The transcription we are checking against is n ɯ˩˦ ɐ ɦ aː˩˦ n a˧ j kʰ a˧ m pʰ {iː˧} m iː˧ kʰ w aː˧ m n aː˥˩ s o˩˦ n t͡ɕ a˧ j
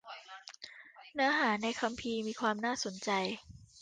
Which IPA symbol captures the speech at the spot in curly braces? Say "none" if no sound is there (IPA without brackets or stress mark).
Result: iː˧